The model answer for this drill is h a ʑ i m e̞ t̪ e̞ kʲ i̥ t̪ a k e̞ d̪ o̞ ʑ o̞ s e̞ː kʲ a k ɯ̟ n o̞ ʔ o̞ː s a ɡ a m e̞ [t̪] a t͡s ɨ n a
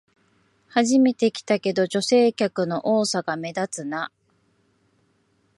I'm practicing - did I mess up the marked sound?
yes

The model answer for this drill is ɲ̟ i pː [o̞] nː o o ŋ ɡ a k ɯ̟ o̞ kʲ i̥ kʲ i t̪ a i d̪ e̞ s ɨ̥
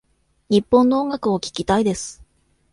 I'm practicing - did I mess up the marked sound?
yes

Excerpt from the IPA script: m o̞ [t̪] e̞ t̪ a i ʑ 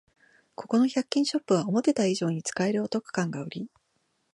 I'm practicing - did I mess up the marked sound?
no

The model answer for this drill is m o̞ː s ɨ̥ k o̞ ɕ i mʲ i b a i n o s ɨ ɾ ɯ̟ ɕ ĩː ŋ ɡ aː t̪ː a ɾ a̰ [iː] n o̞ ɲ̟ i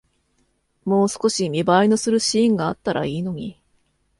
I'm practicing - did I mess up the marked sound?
no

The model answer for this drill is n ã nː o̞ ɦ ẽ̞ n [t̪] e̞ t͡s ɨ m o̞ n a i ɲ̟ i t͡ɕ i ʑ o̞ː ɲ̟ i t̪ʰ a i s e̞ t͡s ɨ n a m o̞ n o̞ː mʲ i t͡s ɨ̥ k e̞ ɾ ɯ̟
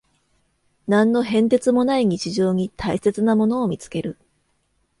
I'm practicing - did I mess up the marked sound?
no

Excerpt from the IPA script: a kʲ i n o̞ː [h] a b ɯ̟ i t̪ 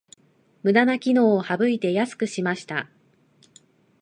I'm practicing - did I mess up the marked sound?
no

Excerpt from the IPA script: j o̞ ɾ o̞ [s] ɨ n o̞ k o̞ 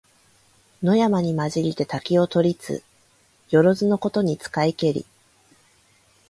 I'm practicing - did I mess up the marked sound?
yes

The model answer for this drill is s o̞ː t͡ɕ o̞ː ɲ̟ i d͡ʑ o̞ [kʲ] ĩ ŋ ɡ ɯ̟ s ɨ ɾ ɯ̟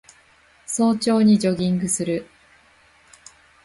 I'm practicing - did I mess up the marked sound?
yes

